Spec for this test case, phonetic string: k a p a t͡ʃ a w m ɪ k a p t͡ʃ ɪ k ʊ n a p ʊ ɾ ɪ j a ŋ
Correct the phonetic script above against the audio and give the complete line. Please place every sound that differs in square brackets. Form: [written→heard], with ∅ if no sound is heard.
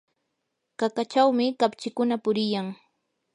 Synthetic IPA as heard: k a [p→k] a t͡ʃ a w m ɪ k a p t͡ʃ ɪ k ʊ n a p ʊ ɾ ɪ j a ŋ